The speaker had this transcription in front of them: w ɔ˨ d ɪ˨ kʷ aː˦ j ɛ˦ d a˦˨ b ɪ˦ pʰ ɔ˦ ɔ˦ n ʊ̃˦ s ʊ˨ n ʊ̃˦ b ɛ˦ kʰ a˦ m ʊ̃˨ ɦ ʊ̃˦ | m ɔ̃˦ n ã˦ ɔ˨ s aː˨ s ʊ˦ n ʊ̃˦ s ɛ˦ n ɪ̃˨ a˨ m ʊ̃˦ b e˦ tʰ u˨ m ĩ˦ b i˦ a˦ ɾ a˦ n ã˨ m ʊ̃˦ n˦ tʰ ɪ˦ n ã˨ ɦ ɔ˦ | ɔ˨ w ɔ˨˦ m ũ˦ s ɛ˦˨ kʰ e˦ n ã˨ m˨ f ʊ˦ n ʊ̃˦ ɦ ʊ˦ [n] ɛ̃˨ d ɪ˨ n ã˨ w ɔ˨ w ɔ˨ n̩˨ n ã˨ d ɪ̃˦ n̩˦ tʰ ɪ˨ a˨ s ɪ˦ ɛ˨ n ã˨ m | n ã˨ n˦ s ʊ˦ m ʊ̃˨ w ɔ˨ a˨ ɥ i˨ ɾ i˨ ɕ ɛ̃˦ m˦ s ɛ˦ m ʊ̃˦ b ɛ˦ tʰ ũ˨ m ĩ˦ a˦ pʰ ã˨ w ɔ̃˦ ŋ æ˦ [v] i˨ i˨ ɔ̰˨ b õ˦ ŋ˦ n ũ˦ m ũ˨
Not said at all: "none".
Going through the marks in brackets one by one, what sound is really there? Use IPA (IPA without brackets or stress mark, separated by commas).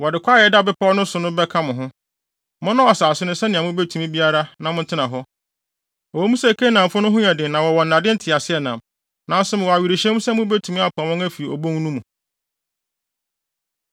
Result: ɲ, f